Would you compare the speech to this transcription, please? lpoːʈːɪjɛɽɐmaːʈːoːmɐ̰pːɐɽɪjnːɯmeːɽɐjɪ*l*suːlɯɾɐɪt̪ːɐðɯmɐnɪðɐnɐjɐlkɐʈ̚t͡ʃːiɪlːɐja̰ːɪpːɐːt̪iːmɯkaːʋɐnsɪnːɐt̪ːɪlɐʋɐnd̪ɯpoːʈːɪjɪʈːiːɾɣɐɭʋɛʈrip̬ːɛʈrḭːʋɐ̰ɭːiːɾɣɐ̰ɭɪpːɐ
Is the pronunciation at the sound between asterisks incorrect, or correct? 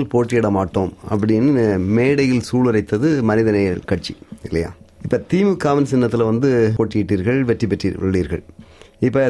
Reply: correct